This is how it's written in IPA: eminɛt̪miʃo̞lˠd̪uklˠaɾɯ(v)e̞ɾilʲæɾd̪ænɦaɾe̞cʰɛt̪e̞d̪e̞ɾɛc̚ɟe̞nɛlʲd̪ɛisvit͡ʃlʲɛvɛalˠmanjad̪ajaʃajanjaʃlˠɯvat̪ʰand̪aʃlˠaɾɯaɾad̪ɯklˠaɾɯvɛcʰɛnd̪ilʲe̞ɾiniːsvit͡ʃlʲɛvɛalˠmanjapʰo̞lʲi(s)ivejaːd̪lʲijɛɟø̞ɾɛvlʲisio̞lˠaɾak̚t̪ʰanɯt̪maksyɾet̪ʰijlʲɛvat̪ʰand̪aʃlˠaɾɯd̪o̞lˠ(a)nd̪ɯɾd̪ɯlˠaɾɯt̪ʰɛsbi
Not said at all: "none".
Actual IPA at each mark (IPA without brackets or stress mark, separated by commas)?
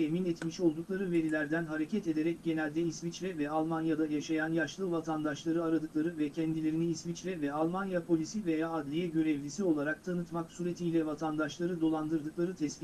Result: v, s, a